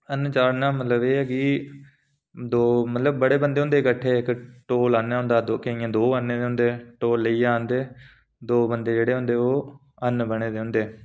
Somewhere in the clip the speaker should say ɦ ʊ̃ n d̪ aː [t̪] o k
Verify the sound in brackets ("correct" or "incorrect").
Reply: incorrect